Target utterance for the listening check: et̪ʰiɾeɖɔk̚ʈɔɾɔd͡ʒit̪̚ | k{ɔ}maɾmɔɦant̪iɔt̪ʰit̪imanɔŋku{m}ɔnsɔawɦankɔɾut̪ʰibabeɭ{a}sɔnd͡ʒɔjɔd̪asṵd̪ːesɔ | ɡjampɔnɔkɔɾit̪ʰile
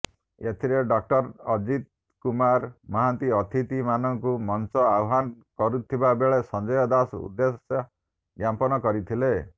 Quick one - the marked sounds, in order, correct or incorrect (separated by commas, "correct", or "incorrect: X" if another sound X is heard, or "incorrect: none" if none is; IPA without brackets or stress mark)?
incorrect: u, correct, incorrect: e